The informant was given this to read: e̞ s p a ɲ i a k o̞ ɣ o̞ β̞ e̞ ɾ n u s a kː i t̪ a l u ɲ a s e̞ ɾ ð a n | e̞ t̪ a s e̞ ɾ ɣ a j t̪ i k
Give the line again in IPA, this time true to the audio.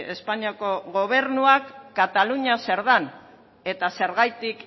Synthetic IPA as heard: e̞ s p a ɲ i a k o̞ ɣ o̞ β̞ e̞ ɾ n u a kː a t̪ a l u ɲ a s e̞ ɾ ð a n | e̞ t̪ a s e̞ ɾ ɣ a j t̪ i k